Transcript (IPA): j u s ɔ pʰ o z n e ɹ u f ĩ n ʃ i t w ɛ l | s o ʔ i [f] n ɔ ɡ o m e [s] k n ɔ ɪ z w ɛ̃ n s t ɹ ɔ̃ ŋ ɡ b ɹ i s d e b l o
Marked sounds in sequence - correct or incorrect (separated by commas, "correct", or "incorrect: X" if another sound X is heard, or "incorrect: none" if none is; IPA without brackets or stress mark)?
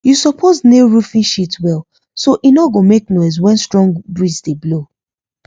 incorrect: none, incorrect: none